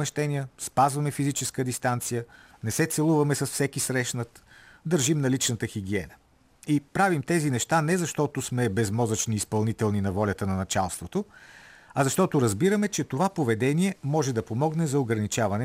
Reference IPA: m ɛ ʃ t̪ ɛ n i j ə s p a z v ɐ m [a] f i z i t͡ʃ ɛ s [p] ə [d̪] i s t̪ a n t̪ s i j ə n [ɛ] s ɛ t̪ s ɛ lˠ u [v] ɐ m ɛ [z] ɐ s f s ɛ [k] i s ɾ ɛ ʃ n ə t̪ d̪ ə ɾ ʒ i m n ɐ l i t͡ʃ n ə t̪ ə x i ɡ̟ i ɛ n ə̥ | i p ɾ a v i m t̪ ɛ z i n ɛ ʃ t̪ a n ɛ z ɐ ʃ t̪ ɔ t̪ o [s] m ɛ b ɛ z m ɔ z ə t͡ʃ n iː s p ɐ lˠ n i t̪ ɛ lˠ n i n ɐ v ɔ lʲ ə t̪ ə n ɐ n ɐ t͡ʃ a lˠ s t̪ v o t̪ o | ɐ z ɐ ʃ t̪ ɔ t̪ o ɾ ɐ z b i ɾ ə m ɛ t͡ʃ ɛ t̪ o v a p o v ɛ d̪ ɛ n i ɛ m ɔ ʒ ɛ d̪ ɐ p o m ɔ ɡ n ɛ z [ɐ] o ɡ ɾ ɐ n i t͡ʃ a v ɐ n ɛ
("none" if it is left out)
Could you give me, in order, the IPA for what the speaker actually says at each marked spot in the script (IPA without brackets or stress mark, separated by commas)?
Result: ɛ, k, d̪, ɛ, v, s, k, s, ɐ